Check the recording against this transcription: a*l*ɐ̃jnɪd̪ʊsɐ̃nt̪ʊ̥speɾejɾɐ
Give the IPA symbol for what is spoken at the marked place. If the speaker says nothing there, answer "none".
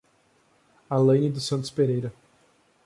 l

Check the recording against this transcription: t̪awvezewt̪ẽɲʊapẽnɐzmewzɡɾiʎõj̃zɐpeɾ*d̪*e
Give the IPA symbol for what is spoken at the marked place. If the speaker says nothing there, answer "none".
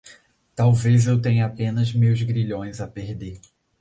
d̪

